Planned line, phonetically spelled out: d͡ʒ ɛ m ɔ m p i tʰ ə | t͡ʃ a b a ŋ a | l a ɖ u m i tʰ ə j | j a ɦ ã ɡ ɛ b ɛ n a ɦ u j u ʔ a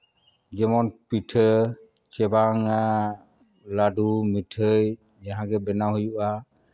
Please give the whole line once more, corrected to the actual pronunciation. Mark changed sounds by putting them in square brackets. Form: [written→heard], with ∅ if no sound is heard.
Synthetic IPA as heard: d͡ʒ ɛ m ɔ [m→n] p i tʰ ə | t͡ʃ [a→ɛ] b a ŋ a | l a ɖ u m i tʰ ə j | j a ɦ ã ɡ ɛ b ɛ n a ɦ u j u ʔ a